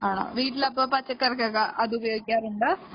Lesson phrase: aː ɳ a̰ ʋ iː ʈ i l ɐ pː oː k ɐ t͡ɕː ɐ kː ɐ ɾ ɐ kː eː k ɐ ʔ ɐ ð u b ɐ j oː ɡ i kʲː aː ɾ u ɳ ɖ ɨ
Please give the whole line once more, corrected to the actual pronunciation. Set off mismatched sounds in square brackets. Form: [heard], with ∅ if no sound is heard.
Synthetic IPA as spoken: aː ɳ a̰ ʋ iː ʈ i l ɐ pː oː [p] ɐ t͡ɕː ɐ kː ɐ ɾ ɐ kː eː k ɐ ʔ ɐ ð u b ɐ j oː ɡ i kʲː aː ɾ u ɳ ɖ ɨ